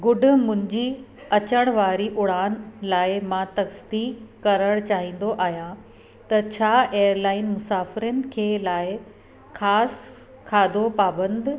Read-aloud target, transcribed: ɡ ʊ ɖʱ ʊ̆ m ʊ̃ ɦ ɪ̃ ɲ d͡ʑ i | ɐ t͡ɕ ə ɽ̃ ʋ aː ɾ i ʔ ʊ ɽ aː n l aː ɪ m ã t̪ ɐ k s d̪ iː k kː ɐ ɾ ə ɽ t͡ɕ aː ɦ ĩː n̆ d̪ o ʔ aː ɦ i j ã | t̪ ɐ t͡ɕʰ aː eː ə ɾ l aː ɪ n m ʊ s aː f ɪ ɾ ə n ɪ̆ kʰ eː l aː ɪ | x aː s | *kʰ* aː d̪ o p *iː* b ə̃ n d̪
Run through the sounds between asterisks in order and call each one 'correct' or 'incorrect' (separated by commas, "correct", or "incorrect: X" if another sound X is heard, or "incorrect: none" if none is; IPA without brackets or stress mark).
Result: correct, incorrect: aː